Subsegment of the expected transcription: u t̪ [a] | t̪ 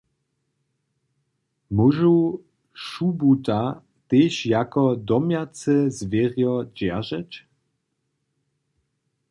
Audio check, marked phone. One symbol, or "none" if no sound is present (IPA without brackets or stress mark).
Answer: a